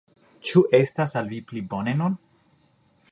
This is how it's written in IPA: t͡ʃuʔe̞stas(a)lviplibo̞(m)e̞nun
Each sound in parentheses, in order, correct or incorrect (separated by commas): correct, incorrect